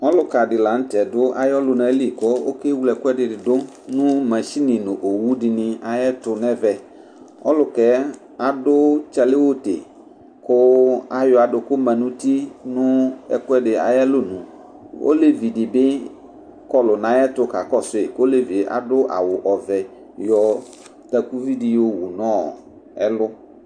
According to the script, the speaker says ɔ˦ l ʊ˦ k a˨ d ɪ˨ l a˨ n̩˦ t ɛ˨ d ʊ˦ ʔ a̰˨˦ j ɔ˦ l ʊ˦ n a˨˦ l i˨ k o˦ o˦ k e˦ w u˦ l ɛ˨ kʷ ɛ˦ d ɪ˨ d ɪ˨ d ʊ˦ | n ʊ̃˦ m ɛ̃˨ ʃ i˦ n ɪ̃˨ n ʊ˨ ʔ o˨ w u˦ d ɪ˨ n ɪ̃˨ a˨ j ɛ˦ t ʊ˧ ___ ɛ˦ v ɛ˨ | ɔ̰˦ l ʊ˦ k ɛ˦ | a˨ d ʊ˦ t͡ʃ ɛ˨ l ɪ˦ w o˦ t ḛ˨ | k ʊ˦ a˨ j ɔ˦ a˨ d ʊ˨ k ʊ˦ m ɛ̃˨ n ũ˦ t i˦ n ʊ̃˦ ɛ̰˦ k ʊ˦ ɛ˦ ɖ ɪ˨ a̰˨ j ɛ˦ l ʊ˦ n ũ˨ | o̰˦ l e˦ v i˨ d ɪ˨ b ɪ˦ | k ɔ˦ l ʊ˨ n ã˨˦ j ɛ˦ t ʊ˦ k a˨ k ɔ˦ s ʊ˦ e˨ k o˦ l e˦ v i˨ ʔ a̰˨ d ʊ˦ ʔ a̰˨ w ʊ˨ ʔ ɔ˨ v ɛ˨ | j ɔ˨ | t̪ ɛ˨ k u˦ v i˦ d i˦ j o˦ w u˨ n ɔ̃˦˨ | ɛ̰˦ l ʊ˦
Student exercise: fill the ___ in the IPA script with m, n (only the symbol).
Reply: n